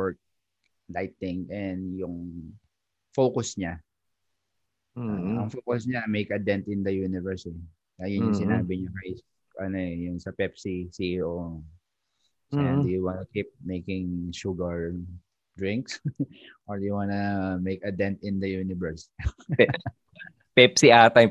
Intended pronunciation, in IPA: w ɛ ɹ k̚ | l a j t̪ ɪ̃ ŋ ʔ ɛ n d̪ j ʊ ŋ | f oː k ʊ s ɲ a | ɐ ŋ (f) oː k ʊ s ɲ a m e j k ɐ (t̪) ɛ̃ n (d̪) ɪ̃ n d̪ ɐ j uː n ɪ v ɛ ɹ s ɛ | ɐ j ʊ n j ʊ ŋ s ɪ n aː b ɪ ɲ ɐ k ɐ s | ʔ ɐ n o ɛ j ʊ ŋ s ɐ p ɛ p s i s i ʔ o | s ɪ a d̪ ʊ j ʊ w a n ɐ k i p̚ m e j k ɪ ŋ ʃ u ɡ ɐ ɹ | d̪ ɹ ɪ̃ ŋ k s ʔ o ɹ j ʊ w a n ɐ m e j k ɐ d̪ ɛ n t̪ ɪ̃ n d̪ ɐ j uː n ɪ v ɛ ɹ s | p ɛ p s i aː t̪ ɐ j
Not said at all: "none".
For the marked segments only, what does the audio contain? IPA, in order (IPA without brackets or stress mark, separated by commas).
f, d̪, t̪